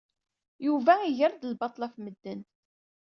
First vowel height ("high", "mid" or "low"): high